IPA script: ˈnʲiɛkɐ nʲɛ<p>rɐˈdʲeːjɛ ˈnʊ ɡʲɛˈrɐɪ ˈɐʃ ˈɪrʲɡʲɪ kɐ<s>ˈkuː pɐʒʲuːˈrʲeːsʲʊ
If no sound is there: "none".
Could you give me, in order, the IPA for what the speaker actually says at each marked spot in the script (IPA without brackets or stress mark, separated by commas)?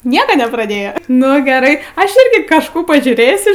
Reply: p, ʃ